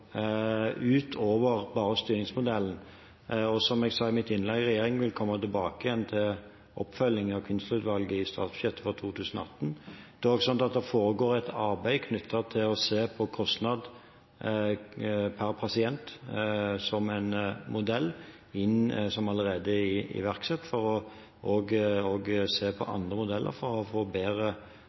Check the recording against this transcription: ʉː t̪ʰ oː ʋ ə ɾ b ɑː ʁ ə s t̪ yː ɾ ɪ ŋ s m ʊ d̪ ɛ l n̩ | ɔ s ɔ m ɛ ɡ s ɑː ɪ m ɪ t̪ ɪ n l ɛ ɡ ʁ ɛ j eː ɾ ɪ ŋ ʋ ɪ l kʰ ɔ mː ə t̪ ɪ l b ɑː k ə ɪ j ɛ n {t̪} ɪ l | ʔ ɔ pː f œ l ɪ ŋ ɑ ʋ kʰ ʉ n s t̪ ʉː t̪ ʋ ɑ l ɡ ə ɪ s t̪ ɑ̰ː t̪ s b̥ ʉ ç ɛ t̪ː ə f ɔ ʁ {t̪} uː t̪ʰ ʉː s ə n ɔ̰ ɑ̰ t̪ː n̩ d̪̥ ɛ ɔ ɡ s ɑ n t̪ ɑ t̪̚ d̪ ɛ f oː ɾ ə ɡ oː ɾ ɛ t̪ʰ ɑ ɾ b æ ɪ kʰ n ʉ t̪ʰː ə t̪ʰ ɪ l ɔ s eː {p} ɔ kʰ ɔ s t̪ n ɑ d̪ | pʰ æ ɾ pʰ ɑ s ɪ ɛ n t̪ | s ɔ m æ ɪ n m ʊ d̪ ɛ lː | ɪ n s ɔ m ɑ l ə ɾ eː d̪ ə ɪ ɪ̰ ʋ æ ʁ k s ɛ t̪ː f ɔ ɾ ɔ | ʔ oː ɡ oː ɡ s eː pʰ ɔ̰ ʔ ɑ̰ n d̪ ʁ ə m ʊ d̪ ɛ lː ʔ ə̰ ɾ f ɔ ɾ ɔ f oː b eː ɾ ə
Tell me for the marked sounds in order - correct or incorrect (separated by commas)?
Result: incorrect, incorrect, incorrect